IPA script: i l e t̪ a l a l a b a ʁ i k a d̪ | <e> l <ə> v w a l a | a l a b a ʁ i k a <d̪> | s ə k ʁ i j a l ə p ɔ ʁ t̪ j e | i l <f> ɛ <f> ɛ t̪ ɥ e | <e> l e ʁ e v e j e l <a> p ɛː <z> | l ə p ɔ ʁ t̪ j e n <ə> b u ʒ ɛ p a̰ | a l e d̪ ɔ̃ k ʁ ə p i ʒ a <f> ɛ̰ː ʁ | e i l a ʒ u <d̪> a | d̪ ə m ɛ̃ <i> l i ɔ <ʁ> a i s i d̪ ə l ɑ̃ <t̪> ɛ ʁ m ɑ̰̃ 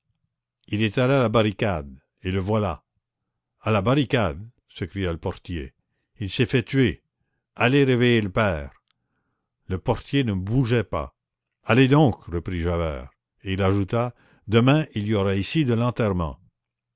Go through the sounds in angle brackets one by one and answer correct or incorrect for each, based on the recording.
correct, correct, correct, incorrect: s, correct, incorrect: a, incorrect: ə, incorrect: ʁ, correct, incorrect: v, incorrect: t̪, correct, correct, correct

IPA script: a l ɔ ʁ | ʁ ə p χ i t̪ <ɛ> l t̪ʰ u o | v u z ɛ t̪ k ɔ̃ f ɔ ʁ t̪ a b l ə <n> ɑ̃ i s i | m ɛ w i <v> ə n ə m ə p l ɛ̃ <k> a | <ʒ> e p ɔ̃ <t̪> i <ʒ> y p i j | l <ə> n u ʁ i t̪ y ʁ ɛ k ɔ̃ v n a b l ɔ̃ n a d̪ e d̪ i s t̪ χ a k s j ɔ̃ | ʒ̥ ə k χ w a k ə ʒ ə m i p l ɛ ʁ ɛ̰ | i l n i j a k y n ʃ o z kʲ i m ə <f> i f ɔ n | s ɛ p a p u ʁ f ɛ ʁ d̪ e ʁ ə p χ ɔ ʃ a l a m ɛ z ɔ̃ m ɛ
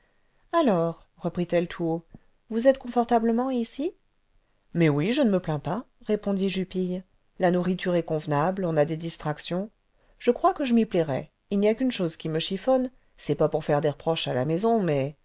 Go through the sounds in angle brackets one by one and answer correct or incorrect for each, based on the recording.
correct, incorrect: m, incorrect: ʒ, incorrect: p, incorrect: ʁ, incorrect: d̪, correct, incorrect: a, incorrect: ʃ

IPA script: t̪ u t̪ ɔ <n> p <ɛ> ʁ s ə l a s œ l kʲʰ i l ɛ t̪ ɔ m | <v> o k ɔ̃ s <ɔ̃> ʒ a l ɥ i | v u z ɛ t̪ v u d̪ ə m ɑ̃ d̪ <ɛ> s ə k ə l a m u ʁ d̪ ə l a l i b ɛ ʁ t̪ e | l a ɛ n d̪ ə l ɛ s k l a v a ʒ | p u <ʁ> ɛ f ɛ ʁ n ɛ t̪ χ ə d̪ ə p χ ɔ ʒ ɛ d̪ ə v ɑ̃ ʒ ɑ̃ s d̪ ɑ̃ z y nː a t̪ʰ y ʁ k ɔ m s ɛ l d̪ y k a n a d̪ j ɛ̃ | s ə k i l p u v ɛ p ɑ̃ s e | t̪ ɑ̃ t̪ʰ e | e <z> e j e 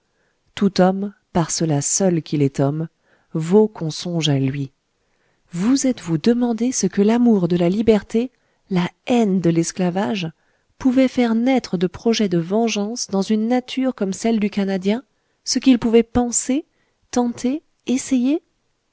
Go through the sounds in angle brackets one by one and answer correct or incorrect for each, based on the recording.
incorrect: m, incorrect: a, correct, correct, incorrect: e, incorrect: v, incorrect: s

